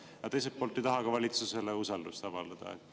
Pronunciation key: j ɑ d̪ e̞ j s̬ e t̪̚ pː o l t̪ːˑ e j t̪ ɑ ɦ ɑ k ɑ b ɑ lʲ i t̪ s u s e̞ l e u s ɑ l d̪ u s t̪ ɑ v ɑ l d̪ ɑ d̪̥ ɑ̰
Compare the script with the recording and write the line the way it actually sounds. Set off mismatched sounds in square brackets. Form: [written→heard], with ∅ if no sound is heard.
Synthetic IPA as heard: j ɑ [d̪→t̪] e̞ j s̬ e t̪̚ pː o l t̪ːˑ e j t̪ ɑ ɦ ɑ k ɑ [b→v] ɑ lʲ i t̪ s u s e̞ l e u s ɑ l d̪ u s t̪ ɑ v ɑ l d̪ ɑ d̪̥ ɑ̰

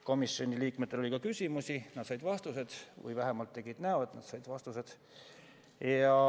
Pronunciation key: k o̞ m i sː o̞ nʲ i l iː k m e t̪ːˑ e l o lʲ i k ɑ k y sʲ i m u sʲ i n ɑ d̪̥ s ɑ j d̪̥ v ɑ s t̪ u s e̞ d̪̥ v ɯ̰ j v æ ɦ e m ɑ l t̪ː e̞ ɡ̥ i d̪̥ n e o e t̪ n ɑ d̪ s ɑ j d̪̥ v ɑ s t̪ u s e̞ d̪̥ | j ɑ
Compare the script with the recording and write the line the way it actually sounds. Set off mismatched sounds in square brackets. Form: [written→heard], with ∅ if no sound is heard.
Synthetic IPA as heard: k o̞ m i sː o̞ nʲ i l iː k m e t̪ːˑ e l o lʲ i k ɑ k y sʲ i m u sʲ i n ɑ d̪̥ s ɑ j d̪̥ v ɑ s t̪ u s e̞ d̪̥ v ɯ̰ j v æ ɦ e m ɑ l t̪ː e̞ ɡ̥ i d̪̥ n [e→æ] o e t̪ n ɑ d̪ s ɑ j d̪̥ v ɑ s t̪ u s e̞ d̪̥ | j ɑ

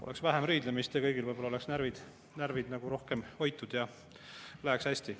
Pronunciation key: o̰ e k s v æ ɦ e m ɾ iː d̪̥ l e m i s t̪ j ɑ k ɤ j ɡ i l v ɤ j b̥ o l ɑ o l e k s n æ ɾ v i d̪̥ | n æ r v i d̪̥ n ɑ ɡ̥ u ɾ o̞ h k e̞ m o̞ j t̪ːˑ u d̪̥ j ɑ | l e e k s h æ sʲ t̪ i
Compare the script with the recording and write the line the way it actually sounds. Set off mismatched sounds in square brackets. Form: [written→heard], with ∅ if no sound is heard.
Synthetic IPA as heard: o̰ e k s v æ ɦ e m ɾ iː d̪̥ l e m i s t̪ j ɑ k ɤ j ɡ i l v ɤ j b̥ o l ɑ o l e k s n æ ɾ v i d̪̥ | n æ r v i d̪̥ n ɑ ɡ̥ u ɾ o̞ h k e̞ m o̞ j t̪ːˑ u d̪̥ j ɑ | l [e→æ] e k s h æ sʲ t̪ i

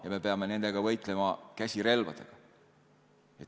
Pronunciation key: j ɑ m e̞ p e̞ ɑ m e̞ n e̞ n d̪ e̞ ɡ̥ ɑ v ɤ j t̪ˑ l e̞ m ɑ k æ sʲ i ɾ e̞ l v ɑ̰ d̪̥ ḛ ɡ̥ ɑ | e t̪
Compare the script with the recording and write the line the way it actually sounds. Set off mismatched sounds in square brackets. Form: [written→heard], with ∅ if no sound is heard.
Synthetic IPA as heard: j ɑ m e̞ p e̞ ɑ m e̞ n e̞ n d̪ e̞ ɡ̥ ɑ v ɤ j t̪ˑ l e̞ m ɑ k æ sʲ i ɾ e̞ l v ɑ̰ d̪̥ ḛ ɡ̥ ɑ | e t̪

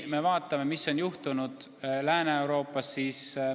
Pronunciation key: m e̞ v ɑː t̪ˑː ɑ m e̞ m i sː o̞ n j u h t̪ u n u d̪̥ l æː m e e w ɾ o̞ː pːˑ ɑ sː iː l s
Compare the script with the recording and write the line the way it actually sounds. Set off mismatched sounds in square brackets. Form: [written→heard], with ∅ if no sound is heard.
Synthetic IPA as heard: m e̞ v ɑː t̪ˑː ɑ m e̞ m i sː o̞ n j u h t̪ u n u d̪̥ l æː [m→n] e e w ɾ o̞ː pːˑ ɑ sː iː [l→∅] s

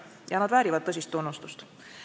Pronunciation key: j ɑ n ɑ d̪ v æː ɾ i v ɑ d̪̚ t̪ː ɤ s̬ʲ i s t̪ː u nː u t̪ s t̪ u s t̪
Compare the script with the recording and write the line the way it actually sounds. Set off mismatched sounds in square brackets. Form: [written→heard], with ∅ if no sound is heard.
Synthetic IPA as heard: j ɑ n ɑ d̪ v æː ɾ i v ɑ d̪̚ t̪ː ɤ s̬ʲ i s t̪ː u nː u [t̪→∅] s t̪ u s t̪

